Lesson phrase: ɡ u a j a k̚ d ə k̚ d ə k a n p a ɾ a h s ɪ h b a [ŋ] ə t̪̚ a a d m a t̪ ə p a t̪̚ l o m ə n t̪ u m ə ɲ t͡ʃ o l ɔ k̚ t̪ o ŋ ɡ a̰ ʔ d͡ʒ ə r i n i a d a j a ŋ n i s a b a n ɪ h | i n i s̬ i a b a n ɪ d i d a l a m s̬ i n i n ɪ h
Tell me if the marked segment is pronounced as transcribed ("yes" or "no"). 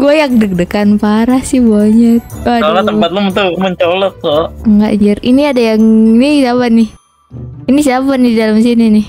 no